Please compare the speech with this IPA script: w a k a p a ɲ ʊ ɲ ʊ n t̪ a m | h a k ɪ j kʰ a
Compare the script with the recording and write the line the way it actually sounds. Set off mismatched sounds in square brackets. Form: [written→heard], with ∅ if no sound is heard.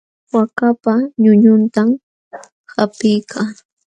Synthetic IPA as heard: w a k a p a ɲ ʊ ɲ ʊ n t̪ a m | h a [k→p] ɪ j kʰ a